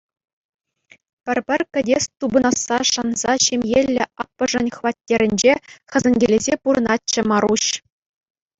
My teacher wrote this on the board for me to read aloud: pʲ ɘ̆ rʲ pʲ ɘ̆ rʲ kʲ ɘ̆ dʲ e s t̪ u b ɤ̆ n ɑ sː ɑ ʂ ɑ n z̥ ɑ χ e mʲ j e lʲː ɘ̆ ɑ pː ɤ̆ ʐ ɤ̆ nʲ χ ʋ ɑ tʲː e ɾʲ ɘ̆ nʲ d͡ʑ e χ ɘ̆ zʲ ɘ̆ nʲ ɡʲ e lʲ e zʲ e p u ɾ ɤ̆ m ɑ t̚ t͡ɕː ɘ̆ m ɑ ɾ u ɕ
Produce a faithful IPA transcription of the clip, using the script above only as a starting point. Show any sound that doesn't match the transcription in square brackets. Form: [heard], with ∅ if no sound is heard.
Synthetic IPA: pʲ ɘ̆ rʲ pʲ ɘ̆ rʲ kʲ ɘ̆ dʲ e s t̪ u b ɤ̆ n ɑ sː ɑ ʂ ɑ n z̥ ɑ [ɕ] e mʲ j e lʲː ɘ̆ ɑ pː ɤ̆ ʐ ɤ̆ nʲ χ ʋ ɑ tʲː e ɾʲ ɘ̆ nʲ d͡ʑ e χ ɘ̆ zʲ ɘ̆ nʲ ɡʲ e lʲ e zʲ e p u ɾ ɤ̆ [n] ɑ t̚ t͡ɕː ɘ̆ m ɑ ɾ u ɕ